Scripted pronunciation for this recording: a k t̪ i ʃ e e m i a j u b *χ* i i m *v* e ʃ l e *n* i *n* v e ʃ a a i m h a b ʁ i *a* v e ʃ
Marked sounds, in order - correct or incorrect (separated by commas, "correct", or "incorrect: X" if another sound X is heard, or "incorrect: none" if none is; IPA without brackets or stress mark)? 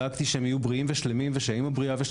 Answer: incorrect: ʁ, correct, incorrect: m, incorrect: m, correct